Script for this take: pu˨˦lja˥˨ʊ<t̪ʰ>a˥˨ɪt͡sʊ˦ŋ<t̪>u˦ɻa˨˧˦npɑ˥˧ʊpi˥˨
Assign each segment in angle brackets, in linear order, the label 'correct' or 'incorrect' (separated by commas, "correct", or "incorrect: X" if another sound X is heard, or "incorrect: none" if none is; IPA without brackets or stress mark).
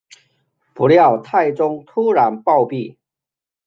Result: correct, incorrect: t̪ʰ